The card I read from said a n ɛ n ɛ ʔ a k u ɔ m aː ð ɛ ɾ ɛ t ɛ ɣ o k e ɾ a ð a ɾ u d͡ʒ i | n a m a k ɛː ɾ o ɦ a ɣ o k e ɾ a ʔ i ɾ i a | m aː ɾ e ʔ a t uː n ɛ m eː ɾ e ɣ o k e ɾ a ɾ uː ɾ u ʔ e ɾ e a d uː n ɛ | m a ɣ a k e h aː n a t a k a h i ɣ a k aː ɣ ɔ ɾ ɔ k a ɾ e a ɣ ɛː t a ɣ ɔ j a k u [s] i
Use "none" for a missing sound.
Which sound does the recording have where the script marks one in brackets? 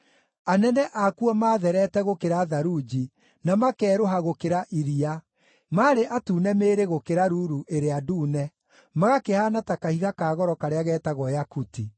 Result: t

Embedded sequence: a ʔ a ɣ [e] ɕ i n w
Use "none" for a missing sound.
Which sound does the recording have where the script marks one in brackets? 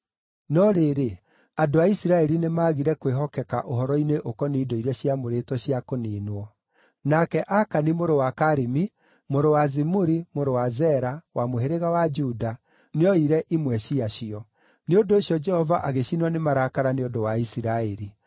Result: e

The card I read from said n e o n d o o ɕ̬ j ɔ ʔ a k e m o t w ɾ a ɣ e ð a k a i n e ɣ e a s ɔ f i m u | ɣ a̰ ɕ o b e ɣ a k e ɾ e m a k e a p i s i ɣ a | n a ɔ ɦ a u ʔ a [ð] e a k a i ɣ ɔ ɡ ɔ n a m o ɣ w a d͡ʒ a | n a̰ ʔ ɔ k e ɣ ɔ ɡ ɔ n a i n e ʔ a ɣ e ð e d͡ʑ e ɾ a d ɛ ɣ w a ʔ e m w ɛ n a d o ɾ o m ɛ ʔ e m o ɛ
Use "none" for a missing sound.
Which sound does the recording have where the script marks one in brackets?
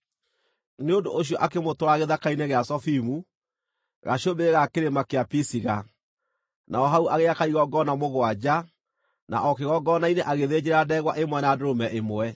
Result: ɣ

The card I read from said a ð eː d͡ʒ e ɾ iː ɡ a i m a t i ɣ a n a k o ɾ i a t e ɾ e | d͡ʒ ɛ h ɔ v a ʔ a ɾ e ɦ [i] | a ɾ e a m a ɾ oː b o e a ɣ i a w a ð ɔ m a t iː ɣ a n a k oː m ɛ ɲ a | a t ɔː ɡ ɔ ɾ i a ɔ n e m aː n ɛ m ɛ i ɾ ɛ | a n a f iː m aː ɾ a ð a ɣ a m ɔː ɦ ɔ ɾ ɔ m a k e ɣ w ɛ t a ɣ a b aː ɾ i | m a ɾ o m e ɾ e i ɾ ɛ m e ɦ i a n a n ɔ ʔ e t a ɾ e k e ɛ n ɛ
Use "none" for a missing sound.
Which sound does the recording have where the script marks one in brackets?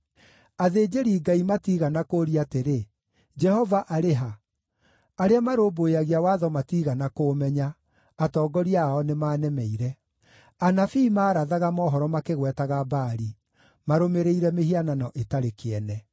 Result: a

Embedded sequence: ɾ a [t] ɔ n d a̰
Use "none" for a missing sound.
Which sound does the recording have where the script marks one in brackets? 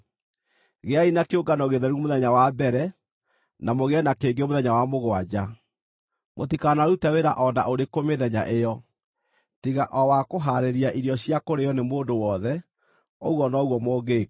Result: ʔ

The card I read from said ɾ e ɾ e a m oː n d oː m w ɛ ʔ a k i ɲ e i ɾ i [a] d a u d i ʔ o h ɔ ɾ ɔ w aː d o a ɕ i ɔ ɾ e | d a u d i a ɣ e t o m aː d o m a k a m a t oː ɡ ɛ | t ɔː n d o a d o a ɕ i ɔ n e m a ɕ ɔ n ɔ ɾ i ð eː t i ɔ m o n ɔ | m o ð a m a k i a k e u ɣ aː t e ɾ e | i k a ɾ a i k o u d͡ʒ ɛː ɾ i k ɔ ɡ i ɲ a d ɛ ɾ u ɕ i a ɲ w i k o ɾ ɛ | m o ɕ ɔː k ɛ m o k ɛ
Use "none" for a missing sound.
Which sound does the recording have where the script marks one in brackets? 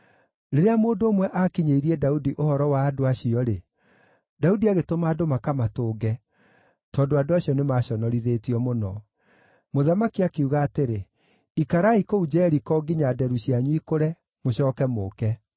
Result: ɛ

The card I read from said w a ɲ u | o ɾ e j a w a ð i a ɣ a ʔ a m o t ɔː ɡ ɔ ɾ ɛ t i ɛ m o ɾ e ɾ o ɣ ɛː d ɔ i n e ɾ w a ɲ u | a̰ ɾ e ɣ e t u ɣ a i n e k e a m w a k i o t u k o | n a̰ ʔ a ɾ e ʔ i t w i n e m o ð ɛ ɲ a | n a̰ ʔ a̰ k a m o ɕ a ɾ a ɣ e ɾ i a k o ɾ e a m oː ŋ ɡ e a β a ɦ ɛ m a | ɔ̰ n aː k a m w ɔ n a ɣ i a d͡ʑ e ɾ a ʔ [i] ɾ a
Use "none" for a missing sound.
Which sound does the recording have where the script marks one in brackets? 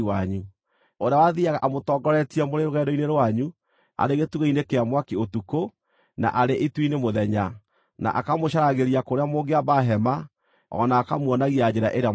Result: e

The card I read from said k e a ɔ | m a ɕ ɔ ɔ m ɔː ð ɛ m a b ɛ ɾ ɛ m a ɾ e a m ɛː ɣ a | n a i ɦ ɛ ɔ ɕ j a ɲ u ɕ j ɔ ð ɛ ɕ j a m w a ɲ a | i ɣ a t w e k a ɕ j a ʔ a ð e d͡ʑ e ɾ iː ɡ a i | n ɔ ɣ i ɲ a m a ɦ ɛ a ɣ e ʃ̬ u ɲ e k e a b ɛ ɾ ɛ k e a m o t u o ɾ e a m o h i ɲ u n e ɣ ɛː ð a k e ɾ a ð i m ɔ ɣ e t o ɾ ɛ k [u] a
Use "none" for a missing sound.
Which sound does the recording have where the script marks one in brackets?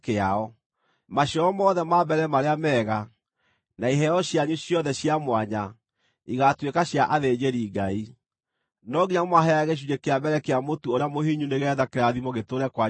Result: w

